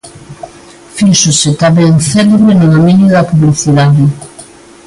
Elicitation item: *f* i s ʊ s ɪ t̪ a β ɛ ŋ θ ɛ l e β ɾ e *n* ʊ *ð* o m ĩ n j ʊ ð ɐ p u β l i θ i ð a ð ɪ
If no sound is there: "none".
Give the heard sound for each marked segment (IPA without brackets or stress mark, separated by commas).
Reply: f, n, ð